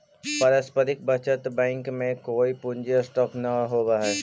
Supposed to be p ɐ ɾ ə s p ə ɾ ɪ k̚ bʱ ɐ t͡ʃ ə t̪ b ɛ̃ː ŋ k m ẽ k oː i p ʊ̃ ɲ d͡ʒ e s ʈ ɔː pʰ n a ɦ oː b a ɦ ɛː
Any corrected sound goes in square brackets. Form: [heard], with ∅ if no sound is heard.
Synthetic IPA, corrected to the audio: p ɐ ɾ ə s p ə ɾ ɪ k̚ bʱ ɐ t͡ʃ ə t̪ b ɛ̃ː ŋ k m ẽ k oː i p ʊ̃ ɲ d͡ʒ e s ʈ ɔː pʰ n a ɦ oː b a ɦ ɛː

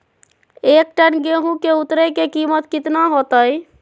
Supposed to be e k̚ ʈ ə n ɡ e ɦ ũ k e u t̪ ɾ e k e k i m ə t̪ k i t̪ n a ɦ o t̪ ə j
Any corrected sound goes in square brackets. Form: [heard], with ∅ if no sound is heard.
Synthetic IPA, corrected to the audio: e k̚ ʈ ə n ɡ e ɦ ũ k e u t̪ ɾ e k e k i m ə t̪ k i t̪ n a ɦ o t̪ ə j

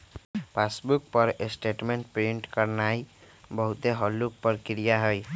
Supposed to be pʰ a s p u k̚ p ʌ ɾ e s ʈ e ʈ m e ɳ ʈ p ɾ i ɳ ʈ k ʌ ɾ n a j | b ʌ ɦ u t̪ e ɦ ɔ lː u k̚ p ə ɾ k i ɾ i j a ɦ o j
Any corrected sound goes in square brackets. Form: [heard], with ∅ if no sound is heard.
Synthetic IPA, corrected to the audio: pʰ a s [b] u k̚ p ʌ ɾ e s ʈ e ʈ m e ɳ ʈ p ɾ i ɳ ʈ k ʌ ɾ n a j | b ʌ ɦ u t̪ e ɦ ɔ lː u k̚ p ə ɾ k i ɾ i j a ɦ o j

